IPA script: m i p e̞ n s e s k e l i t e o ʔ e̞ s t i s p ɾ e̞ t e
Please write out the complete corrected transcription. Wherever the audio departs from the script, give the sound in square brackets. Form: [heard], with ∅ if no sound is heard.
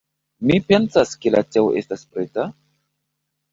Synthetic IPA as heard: m i p e̞ n s [a] s k e l [a] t e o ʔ e̞ s t [a] s p ɾ e̞ t [a]